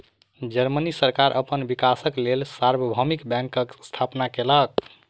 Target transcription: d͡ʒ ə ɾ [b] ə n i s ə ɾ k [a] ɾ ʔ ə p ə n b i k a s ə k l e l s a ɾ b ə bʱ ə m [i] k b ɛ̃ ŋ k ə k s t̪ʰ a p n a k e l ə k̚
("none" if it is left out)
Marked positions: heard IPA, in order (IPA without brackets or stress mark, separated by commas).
m, a, i